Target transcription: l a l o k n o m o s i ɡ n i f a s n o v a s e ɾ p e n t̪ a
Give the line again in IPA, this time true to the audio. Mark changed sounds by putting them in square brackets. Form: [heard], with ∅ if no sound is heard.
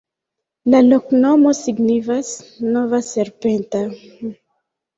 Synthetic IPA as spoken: l a l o k n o m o s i ɡ n i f a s n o v a s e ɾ p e n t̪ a